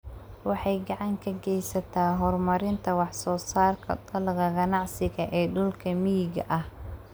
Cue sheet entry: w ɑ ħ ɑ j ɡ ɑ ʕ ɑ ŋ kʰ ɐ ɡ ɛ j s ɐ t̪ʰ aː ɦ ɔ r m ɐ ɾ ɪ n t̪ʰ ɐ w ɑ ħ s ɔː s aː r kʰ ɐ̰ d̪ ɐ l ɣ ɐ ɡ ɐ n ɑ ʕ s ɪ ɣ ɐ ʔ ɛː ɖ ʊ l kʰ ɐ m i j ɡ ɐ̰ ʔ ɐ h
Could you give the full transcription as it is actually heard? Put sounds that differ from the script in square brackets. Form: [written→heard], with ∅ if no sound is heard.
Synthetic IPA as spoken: w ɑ ħ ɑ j ɡ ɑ ʕ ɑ ŋ kʰ ɐ ɡ ɛ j s ɐ t̪ʰ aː ɦ ɔ r m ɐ ɾ ɪ n t̪ʰ ɐ w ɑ ħ s ɔː s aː r kʰ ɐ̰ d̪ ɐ l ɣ ɐ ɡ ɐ n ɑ ʕ s ɪ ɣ ɐ ʔ ɛː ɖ ʊ l kʰ ɐ m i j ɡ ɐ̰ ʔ ɐ h